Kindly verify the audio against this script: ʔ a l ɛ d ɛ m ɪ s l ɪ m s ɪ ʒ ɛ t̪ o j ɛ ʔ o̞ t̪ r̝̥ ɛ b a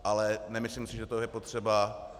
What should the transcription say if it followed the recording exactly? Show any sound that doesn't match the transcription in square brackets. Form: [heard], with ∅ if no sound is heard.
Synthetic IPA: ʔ a l ɛ [n] ɛ m ɪ s l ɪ m s ɪ ʒ ɛ t̪ o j ɛ [p] o̞ t̪ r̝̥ ɛ b a

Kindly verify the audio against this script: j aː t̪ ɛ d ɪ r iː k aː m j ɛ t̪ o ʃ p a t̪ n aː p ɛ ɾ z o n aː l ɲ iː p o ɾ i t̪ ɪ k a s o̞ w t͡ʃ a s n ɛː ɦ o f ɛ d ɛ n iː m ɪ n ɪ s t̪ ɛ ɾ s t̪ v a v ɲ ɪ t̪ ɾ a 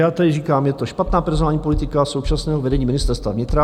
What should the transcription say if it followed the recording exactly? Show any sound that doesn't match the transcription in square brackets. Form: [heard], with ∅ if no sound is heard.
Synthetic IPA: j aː t̪ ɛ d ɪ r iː k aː m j ɛ t̪ o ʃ p a t̪ n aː p ɛ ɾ z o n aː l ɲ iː p o [l] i t̪ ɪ k a s o̞ w t͡ʃ a s n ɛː ɦ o [v] ɛ d ɛ [ɲ] iː m ɪ n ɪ s t̪ ɛ ɾ s t̪ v a v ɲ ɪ t̪ ɾ a

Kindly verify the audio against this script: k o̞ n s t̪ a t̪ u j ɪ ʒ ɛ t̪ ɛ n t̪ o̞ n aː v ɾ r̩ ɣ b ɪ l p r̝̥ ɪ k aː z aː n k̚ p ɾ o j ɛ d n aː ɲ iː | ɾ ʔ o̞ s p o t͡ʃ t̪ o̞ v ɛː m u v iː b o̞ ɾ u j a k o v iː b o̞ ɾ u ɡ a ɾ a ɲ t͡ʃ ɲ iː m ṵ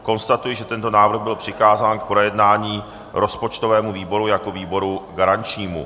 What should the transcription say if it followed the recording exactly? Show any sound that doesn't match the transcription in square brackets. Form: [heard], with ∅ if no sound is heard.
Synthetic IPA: k o̞ n s t̪ a t̪ u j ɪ ʒ ɛ t̪ ɛ n t̪ o̞ n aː v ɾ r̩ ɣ b ɪ l p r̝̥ ɪ k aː z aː n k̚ p ɾ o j ɛ d n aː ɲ iː | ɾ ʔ o̞ s p o t͡ʃ t̪ o̞ v ɛː m u v iː b o̞ ɾ u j a k o v iː b o̞ ɾ u ɡ a ɾ a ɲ t͡ʃ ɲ iː m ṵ

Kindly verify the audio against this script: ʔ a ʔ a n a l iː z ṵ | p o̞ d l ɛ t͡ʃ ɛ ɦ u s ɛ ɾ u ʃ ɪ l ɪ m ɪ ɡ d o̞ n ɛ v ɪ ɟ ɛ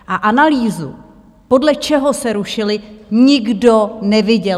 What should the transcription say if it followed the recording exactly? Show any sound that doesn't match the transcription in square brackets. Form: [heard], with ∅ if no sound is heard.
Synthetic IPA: ʔ a ʔ a n a l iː z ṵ | p o̞ d l ɛ t͡ʃ ɛ ɦ [o] s ɛ ɾ u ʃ ɪ l ɪ [ɲ] ɪ ɡ d o̞ n ɛ v ɪ ɟ ɛ

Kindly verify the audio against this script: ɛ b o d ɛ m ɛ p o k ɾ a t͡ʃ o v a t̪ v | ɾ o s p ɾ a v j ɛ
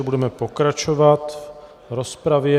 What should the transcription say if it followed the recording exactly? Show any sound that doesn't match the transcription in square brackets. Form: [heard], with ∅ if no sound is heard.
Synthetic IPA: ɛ b [u] d ɛ m ɛ p o k ɾ a t͡ʃ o v a t̪ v | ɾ o s p ɾ a v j ɛ

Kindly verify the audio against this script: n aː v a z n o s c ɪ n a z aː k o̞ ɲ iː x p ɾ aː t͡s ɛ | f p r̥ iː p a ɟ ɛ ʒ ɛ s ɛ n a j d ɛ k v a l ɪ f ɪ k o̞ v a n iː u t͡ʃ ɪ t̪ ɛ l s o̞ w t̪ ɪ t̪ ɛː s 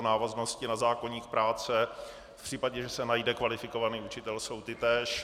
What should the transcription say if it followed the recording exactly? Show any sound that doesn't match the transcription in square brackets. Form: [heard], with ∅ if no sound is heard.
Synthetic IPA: n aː v a z n o s c ɪ n a z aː k o̞ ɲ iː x p ɾ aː t͡s ɛ | f p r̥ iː p a ɟ ɛ ʒ ɛ s ɛ n a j d ɛ k v a l ɪ f ɪ k o̞ v a n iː u t͡ʃ ɪ t̪ ɛ l s o̞ w t̪ ɪ t̪ ɛː [ʃ]

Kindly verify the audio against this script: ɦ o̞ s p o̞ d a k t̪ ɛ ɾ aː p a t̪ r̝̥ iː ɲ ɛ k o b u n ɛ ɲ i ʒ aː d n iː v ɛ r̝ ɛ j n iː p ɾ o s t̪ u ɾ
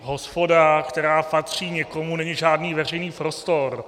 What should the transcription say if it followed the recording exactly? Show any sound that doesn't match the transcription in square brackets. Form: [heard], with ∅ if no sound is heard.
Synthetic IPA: ɦ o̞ s p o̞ d a k t̪ ɛ ɾ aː p a t̪ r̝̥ iː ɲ ɛ k o [m] u n ɛ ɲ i ʒ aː d n iː v ɛ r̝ ɛ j n iː p ɾ o s t̪ [o] ɾ

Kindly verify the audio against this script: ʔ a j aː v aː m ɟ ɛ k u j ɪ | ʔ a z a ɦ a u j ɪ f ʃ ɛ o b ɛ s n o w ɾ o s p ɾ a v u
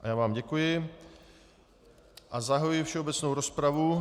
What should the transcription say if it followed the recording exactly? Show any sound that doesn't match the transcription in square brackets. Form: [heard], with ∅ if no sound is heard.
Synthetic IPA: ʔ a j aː v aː m ɟ ɛ k u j ɪ | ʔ a z a ɦ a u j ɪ f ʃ ɛ o b ɛ [t͡s] n o w ɾ o s p ɾ a v u

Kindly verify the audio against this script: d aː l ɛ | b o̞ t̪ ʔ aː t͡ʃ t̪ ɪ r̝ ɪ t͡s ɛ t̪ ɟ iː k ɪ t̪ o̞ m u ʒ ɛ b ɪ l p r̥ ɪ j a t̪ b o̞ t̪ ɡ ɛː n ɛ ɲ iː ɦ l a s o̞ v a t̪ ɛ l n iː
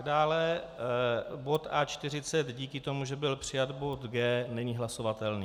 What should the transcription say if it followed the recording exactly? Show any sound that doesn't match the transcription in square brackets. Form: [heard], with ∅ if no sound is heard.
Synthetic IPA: d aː l ɛ | b o̞ t̪ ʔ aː t͡ʃ t̪ ɪ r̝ ɪ t͡s ɛ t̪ ɟ iː k ɪ t̪ o̞ m u ʒ ɛ b ɪ l p r̥ ɪ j a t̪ b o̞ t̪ ɡ ɛː n ɛ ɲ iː ɦ l a s o̞ v a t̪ ɛ l n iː

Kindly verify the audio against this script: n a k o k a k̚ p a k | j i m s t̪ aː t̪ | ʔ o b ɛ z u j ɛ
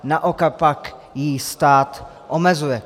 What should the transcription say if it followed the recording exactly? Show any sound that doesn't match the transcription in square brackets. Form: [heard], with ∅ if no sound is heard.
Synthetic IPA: n a [ʔ] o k a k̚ p a k | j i [∅] s t̪ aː t̪ | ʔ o [m] ɛ z u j ɛ

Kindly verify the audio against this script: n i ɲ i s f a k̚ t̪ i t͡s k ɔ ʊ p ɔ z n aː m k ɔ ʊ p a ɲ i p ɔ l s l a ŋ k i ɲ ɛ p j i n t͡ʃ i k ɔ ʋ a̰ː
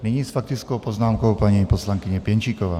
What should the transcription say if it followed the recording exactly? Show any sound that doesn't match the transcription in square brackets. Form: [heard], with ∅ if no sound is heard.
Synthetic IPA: n i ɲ i s f a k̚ t̪ i t͡s k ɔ ʊ p ɔ z n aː m k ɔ ʊ p a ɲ i p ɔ [∅] s l a ŋ k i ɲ ɛ p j [ɛ] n t͡ʃ i k ɔ ʋ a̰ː

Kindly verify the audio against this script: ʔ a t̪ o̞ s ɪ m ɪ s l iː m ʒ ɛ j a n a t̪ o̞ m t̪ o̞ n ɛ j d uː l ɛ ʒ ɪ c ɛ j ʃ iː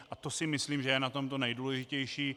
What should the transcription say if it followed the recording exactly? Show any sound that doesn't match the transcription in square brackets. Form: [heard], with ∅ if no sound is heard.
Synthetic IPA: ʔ a t̪ o̞ s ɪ m ɪ s l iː m ʒ ɛ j [ɛ] n a t̪ o̞ m t̪ o̞ n ɛ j d uː l ɛ ʒ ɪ c ɛ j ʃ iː

